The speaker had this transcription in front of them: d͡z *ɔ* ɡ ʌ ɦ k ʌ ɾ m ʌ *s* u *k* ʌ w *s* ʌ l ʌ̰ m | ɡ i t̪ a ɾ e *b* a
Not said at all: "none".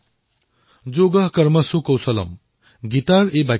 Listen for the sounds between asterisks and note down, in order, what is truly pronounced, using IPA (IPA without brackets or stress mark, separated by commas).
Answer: o, s, k, s, b